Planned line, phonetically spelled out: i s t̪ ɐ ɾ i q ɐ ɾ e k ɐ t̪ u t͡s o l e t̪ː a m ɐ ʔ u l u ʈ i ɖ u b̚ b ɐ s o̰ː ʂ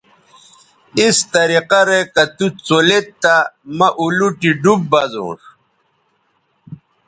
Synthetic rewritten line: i s t̪ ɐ ɾ i q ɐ ɾ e k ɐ t̪ u t͡s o l e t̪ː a m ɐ ʔ u l u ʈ i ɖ u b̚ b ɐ z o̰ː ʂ